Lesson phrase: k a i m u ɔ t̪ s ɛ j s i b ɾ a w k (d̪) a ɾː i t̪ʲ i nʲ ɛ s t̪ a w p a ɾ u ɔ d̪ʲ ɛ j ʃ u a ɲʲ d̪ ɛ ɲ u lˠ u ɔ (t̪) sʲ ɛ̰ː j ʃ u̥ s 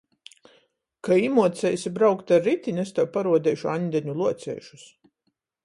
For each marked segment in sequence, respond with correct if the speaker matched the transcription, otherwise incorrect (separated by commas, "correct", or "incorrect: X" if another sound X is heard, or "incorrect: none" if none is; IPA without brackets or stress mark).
incorrect: t̪, correct